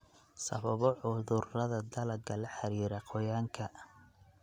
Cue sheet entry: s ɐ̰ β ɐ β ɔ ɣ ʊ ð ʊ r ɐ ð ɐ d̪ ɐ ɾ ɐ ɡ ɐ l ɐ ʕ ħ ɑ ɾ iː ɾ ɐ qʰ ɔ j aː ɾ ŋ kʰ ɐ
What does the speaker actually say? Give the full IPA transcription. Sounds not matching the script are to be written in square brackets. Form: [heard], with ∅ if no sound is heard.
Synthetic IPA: s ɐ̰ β ɐ β ɔ [ʕ] ʊ ð ʊ r ɐ ð ɐ d̪ ɐ [l] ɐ ɡ ɐ l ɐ [∅] ħ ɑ ɾ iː ɾ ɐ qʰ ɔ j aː [∅] ŋ kʰ ɐ